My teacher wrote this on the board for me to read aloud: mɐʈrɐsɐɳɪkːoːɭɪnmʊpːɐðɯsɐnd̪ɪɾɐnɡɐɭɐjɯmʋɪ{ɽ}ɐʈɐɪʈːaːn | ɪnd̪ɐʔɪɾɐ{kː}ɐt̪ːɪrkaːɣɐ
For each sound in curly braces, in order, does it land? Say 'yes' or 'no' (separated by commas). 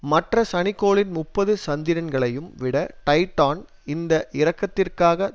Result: yes, yes